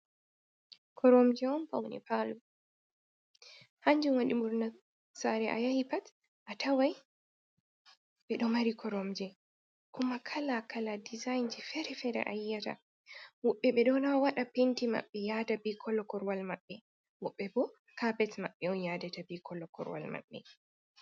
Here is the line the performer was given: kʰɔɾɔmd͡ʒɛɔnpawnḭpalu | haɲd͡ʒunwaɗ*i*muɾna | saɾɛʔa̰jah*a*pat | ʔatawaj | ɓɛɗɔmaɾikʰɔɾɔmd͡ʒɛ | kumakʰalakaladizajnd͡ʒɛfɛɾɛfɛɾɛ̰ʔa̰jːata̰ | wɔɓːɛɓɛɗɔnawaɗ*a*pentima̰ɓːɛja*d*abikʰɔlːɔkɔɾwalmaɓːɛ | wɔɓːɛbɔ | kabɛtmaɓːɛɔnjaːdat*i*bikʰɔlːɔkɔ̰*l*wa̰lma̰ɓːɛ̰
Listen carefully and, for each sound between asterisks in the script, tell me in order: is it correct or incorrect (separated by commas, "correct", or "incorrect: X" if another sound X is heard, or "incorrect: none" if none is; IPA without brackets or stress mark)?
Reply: correct, incorrect: i, correct, correct, incorrect: a, incorrect: ɾ